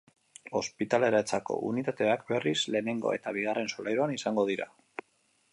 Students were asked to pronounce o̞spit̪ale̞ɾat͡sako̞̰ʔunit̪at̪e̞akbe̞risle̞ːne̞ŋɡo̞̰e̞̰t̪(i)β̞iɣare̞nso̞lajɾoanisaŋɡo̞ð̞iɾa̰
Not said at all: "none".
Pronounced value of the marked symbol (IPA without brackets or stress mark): a